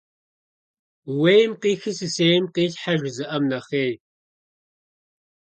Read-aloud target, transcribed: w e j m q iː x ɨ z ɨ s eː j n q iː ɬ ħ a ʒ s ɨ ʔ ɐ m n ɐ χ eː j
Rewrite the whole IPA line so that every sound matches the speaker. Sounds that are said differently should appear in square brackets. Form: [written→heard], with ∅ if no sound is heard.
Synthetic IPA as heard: w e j m q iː x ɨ [z→s] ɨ s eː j [n→m] q iː ɬ ħ a ʒ [s→z] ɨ ʔ ɐ m n ɐ χ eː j